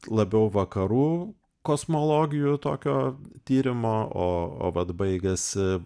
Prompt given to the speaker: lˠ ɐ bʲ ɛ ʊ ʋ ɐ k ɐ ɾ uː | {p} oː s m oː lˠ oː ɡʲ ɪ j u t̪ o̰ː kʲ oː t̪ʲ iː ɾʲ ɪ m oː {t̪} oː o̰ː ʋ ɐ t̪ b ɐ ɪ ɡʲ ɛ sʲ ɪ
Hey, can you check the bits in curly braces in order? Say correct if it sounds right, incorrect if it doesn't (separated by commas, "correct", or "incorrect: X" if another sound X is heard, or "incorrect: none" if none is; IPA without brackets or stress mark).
incorrect: k, incorrect: none